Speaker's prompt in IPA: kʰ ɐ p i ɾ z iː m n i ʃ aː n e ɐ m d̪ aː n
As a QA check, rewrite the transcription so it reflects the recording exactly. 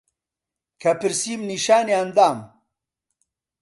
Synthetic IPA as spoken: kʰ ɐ p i ɾ s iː m n i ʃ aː n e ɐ n d̪ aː m